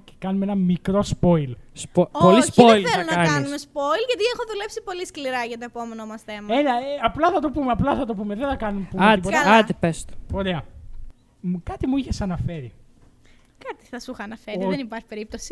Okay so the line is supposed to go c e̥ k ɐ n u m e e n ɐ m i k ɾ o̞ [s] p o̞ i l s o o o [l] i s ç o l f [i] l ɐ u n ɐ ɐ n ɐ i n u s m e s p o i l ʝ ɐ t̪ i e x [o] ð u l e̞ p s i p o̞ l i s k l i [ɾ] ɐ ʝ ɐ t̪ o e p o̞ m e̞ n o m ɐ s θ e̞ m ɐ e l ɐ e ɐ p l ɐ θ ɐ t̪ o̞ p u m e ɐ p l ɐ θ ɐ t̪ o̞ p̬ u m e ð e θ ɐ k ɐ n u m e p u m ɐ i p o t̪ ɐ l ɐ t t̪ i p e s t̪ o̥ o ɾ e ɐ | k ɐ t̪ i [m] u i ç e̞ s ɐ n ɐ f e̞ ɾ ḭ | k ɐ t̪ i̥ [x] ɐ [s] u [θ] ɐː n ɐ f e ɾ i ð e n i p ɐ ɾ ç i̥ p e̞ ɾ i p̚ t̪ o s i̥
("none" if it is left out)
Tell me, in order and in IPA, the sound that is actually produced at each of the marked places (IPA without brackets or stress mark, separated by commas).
s, l, e, o, ɾ, m, θ, s, x